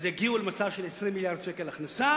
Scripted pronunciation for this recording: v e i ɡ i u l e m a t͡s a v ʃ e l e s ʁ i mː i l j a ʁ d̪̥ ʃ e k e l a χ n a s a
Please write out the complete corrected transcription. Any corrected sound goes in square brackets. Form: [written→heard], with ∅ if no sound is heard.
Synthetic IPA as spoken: [v→z] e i ɡ i u l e m a t͡s a v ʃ e l e s ʁ i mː i l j a ʁ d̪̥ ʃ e k e l a χ n a s a